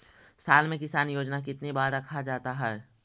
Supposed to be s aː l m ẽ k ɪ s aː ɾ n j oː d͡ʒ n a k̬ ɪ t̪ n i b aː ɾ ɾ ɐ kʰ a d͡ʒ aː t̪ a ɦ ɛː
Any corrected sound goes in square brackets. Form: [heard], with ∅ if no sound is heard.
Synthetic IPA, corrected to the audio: s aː l m ẽ k ɪ s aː [∅] n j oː d͡ʒ n a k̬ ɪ t̪ n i b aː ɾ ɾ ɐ kʰ a d͡ʒ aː t̪ a ɦ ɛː

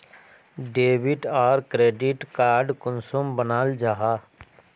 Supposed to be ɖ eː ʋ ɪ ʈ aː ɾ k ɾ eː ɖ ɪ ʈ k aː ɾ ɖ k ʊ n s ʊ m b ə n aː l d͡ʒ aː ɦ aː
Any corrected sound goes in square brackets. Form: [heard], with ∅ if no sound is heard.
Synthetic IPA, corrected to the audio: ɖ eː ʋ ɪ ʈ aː ɾ k ɾ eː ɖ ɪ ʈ k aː ɾ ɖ k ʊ n s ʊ m b ə n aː l d͡ʒ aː ɦ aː

